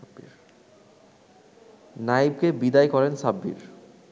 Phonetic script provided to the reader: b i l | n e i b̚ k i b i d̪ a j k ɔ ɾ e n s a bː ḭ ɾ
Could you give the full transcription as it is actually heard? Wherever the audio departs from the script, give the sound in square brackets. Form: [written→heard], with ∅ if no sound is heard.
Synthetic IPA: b i [l→ɾ] | n [e→a] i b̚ k [i→e] b i d̪ a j k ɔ ɾ e n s a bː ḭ ɾ